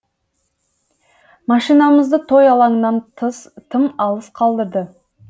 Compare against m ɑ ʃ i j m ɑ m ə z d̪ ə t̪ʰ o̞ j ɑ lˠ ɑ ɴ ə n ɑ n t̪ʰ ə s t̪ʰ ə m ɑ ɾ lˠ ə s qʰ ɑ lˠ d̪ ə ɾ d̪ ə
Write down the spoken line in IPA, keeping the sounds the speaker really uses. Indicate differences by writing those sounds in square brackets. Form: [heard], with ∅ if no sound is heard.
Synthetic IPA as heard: m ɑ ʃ i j [n] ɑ m ə z d̪ ə t̪ʰ o̞ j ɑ lˠ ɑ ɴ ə n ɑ n t̪ʰ ə s t̪ʰ ə m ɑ [∅] lˠ ə s qʰ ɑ lˠ d̪ ə ɾ d̪ ə